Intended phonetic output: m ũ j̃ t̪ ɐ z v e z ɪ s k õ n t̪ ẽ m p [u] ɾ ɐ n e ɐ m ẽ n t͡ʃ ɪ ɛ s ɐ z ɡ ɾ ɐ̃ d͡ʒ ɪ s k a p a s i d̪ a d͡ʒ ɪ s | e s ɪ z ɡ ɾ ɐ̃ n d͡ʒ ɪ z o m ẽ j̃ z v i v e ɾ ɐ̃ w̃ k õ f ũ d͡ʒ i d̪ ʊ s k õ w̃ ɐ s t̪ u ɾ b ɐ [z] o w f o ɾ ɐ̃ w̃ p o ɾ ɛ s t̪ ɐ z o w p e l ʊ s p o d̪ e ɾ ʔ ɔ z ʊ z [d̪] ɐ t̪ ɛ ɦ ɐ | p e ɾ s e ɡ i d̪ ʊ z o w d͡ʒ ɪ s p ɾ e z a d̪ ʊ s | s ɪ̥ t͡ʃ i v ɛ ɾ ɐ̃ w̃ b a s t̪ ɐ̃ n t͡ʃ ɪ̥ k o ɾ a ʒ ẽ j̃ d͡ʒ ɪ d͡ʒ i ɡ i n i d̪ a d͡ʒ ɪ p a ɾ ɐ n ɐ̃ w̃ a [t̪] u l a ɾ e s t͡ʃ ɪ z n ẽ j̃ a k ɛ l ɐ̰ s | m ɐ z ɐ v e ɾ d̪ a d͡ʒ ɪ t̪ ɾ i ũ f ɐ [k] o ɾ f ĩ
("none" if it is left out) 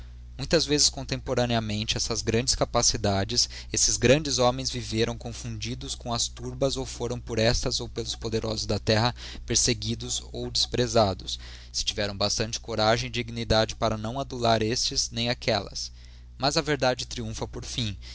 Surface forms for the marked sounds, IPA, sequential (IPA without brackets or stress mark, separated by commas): o, z, d̪, d̪, p